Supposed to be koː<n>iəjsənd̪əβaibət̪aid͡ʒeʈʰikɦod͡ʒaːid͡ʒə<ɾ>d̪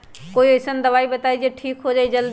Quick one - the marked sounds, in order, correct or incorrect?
incorrect: none, incorrect: l

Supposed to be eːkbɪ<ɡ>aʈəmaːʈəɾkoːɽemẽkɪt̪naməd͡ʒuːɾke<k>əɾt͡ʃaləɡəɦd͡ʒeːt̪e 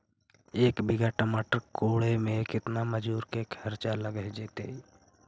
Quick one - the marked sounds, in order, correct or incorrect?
correct, incorrect: kʰ

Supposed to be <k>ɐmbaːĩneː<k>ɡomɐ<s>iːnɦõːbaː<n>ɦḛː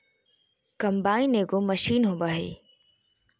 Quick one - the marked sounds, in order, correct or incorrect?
correct, incorrect: none, incorrect: ʃ, incorrect: none

